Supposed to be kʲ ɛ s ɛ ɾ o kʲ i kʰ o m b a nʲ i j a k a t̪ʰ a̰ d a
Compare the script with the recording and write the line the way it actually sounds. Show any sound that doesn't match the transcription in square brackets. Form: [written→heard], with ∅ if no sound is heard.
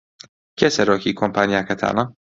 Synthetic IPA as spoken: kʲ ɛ s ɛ ɾ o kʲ i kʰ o m [b→p] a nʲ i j a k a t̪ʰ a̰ [d→n] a